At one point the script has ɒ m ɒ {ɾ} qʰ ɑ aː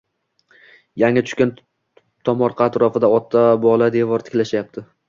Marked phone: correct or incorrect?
correct